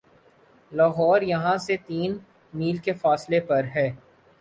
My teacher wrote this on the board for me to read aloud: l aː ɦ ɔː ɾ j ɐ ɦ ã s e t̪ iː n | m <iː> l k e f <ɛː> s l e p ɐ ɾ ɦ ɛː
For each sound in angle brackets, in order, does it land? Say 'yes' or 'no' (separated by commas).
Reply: yes, no